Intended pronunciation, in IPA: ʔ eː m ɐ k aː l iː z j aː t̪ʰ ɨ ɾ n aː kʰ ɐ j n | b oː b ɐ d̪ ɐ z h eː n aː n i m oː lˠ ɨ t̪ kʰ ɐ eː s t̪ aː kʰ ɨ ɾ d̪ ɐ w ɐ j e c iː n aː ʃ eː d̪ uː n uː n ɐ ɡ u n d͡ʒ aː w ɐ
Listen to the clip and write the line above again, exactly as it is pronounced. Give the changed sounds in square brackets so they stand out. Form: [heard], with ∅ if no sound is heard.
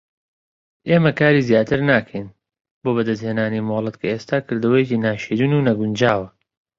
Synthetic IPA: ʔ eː m ɐ k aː [ɾ] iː z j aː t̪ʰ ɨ ɾ n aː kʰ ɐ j n | b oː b ɐ d̪ ɐ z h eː n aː n i m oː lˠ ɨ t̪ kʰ ɐ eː s t̪ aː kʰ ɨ ɾ d̪ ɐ w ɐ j e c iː n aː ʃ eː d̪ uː n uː n ɐ ɡ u n d͡ʒ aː w ɐ